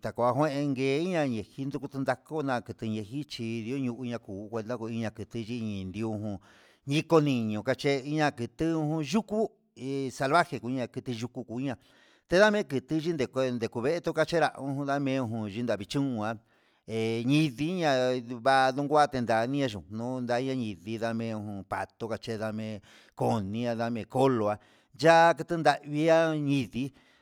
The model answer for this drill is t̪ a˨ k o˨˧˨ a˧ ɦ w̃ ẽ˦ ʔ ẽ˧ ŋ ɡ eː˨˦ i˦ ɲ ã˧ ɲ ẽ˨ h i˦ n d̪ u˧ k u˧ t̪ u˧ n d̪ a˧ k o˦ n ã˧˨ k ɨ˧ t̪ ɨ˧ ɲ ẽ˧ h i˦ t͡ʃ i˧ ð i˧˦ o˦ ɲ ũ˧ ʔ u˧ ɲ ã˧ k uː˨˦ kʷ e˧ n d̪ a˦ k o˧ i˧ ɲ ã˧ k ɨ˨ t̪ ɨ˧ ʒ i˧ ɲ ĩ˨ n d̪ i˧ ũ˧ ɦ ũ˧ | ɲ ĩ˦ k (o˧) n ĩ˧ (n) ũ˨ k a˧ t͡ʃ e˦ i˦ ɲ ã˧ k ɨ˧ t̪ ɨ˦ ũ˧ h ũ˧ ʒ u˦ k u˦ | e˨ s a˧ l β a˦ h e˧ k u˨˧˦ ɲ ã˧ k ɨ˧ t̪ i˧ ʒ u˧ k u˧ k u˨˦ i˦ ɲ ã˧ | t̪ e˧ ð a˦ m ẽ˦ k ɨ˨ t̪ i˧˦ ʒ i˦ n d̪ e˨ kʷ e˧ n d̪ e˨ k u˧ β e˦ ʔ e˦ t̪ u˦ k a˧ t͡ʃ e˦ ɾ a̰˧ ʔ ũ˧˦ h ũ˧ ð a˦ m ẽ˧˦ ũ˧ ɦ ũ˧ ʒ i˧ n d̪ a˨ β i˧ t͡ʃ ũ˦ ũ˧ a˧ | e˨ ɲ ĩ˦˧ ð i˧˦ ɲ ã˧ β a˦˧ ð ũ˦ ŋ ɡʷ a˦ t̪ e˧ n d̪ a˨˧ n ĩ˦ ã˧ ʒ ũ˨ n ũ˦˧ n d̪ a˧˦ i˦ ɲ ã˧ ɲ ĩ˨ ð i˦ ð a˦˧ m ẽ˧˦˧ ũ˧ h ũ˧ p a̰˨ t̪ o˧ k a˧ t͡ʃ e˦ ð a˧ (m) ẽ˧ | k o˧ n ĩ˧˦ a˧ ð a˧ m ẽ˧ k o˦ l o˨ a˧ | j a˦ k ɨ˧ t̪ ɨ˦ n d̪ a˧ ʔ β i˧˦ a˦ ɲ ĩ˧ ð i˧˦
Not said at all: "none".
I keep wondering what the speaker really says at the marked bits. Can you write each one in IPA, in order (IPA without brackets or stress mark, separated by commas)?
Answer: o˧, ɲ, m